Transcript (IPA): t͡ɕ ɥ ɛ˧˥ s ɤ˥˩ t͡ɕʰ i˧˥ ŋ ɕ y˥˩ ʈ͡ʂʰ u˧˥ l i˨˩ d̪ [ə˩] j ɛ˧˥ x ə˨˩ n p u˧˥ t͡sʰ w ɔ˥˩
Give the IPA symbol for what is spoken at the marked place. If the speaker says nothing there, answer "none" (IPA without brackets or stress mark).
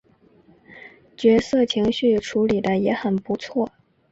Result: ə˦